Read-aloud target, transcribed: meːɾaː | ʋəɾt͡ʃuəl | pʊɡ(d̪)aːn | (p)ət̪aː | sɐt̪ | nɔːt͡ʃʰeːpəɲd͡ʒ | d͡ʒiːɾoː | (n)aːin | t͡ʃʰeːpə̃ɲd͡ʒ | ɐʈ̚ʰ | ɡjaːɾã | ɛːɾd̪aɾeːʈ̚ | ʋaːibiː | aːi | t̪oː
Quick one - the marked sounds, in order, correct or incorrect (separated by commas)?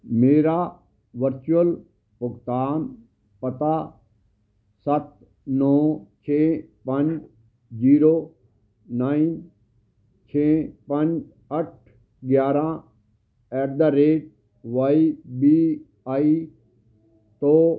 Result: incorrect, correct, correct